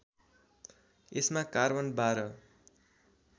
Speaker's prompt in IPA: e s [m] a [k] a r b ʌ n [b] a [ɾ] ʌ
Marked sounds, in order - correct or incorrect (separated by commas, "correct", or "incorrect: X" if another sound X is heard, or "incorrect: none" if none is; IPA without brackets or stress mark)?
correct, correct, correct, correct